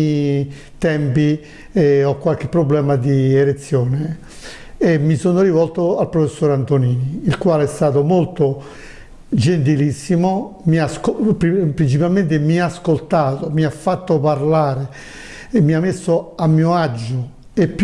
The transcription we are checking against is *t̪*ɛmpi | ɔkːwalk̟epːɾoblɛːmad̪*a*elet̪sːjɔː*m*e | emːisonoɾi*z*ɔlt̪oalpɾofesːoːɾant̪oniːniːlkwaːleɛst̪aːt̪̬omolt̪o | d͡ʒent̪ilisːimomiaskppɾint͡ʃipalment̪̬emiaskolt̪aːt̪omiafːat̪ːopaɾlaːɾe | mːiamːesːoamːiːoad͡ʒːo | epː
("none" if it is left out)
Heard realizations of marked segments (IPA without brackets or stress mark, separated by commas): t̪, i, n, v